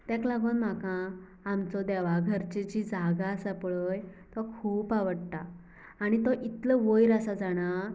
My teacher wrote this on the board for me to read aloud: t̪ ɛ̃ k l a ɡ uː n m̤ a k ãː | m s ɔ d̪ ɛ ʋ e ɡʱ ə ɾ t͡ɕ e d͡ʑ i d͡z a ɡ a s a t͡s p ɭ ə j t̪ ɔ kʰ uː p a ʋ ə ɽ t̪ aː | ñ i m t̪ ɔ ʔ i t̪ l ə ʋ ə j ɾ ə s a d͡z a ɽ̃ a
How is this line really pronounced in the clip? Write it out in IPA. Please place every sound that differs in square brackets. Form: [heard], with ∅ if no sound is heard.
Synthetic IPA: t̪ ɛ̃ k l a ɡ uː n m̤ a k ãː | m [t͡s] ɔ d̪ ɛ ʋ [a] ɡʱ ə ɾ t͡ɕ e d͡ʑ i d͡z a ɡ a s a [∅] p ɭ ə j t̪ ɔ kʰ uː p a ʋ ə ɽ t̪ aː | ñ i [∅] t̪ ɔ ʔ i t̪ l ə ʋ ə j ɾ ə s a d͡z a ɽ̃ a